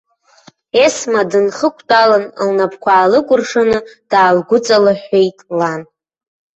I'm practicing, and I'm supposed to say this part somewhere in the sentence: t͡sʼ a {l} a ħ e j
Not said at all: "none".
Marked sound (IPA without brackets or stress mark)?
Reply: l